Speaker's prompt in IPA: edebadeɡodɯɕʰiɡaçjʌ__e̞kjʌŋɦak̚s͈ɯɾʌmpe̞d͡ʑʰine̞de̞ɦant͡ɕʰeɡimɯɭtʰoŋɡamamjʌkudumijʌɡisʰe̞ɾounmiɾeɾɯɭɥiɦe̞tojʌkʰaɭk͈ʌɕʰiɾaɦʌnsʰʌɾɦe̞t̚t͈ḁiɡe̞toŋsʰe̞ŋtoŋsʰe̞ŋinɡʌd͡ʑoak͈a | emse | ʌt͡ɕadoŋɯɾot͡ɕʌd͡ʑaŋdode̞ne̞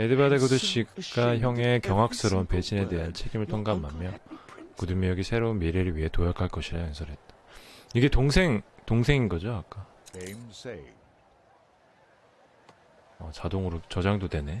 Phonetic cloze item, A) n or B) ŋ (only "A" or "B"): B